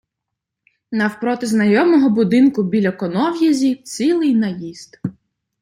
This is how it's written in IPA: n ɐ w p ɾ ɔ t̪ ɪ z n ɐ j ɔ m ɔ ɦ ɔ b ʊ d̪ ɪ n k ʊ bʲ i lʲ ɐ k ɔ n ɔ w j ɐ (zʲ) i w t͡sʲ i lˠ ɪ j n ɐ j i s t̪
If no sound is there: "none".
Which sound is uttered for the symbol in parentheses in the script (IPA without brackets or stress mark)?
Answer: zʲ